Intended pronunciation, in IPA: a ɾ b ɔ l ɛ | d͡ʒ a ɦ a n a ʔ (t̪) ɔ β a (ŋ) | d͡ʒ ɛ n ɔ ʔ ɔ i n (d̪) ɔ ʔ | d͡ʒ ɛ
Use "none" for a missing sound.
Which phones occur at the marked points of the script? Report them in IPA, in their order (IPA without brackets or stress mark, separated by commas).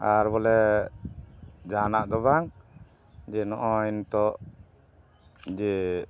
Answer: d̪, ŋ, t̪